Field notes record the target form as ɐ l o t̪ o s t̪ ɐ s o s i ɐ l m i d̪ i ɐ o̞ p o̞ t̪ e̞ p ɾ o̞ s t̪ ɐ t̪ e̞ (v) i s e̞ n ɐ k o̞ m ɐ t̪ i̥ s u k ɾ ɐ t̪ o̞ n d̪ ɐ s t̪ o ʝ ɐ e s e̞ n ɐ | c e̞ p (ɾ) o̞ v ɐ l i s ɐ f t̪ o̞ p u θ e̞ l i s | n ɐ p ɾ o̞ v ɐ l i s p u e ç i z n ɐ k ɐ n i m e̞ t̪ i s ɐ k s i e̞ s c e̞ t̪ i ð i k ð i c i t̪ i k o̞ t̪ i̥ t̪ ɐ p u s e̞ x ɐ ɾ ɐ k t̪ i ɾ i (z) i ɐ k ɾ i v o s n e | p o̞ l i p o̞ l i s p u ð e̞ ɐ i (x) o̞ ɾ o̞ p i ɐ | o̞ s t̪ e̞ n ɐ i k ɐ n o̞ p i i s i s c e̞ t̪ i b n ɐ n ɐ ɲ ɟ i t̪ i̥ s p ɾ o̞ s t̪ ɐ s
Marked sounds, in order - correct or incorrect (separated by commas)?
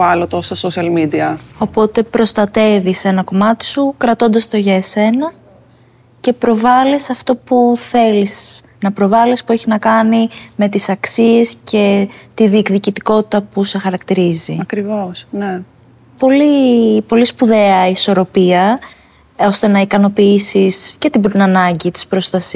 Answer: correct, correct, correct, incorrect